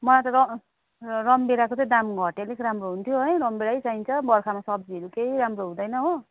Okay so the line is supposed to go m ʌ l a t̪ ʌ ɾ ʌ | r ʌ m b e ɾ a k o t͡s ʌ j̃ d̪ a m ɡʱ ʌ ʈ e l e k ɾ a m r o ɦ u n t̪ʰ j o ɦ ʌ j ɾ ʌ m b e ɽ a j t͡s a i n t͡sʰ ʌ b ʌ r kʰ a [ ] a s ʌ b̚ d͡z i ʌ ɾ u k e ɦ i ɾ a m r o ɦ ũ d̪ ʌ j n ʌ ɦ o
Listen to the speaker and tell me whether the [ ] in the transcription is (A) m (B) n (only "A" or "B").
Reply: A